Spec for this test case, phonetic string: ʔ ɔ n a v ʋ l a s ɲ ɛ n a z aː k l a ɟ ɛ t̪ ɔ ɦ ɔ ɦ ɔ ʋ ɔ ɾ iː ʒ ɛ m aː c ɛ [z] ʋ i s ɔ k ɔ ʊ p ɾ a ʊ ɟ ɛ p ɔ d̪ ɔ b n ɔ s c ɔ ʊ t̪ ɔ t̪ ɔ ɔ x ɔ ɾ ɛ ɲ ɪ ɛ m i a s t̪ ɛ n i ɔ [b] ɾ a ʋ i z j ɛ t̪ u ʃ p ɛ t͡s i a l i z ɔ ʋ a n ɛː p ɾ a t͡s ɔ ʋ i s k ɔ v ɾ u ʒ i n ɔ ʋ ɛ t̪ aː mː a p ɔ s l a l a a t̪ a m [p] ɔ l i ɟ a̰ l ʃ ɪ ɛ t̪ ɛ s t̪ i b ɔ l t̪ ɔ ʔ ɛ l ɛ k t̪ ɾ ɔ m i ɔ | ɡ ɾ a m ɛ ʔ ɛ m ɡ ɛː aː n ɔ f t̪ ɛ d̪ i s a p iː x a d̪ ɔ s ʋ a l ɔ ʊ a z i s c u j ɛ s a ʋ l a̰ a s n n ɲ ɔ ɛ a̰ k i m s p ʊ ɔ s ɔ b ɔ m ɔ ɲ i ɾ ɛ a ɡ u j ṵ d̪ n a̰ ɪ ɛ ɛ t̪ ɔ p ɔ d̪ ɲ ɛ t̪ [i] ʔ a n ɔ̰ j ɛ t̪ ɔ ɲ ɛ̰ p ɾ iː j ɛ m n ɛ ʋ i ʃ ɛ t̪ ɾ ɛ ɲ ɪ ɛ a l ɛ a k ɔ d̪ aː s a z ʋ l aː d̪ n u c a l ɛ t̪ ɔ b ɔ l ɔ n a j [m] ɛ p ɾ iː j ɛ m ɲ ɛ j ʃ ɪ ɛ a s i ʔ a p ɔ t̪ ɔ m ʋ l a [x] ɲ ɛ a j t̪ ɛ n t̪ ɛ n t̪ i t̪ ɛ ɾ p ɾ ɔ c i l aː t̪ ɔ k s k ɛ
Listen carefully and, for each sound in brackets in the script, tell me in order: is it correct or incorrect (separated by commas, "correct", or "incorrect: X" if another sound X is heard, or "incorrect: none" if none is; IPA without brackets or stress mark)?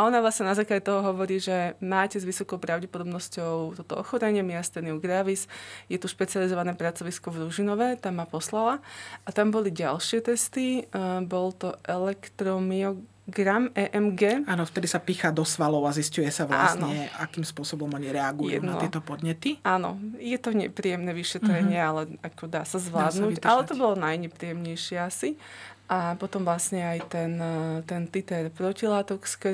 correct, incorrect: ɡ, incorrect: b, correct, incorrect: ɲ, incorrect: s